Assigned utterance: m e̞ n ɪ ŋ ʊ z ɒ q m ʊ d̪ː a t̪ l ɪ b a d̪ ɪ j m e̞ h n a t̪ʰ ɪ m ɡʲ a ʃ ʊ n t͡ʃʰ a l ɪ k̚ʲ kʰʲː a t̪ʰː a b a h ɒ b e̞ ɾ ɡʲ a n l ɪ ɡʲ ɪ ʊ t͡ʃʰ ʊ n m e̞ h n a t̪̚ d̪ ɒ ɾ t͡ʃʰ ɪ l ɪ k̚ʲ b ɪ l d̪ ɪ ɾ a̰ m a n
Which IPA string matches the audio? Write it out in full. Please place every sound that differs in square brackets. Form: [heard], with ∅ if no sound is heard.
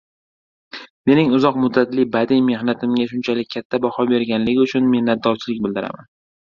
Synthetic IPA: m e̞ n ɪ ŋ ʊ z ɒ q m ʊ d̪ː a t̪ l ɪ b a d̪ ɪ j m e̞ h n a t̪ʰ ɪ m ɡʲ a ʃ ʊ n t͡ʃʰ a l ɪ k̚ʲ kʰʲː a t̪ʰː a b a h ɒ b e̞ ɾ ɡʲ a n l ɪ ɡʲ ɪ ʊ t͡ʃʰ ʊ n m e̞ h n a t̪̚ d̪ ɒ ɾ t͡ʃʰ ɪ l ɪ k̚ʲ b ɪ l d̪ ɪ ɾ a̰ m a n